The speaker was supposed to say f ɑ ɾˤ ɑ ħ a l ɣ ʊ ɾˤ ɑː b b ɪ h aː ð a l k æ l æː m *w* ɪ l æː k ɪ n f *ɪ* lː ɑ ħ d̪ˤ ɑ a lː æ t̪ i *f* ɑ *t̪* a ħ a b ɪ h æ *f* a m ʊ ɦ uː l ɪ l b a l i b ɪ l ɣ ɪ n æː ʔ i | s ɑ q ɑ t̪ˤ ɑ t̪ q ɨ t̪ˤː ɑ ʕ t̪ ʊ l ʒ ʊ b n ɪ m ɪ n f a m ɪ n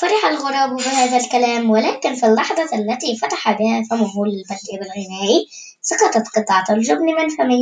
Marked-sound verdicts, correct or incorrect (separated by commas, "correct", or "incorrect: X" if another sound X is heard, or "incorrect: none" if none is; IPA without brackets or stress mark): correct, incorrect: i, correct, correct, correct